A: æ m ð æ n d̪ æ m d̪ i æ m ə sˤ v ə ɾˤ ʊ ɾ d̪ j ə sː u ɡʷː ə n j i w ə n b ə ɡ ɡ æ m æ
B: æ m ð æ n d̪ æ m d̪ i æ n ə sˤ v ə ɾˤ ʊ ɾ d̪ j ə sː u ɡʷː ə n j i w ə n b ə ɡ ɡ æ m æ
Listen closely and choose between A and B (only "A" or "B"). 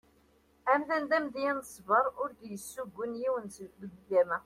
B